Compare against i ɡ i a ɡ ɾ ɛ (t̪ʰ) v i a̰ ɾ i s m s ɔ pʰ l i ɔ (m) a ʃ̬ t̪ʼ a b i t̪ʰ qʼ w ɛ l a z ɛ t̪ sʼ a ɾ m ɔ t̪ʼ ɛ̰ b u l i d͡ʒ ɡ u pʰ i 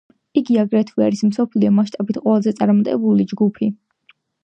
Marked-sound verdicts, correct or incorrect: correct, correct

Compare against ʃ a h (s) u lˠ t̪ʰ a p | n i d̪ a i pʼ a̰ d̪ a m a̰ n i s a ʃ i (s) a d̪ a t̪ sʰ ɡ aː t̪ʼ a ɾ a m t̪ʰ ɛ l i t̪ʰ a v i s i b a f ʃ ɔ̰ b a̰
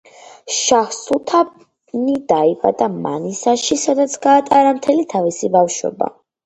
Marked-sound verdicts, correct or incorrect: correct, correct

